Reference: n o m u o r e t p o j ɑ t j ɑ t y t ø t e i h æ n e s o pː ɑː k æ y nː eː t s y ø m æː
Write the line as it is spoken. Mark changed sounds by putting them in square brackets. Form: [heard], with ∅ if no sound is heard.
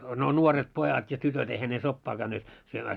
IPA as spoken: n o [n] u o r e t p o j ɑ t j ɑ t y t ø t e i h æ n e s o pː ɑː k æ y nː eː t s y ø m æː

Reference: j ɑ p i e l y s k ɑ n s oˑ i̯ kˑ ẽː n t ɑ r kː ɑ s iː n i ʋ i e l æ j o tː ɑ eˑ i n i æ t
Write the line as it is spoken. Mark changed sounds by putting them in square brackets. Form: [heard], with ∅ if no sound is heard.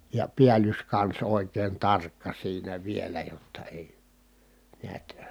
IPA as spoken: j ɑ p i [æ] l y s k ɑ n s oˑ i̯ kˑ [eː] n t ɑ r kː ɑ s iː n [æ] ʋ i e l æ j o tː ɑ eˑ i n i æ t

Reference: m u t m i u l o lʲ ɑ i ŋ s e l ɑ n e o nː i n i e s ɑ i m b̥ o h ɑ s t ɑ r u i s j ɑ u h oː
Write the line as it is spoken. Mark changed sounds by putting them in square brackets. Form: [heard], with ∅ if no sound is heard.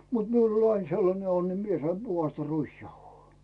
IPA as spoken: m u t m i u l o lʲ ɑ i ŋ s e [lː] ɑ n e o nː i [m] i e s ɑ i m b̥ [u] h ɑ s t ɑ r u i s j ɑ u h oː

